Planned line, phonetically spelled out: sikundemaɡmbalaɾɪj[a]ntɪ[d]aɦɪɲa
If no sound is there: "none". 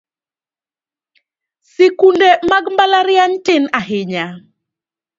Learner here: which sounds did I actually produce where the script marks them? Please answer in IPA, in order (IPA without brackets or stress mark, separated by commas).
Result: a, n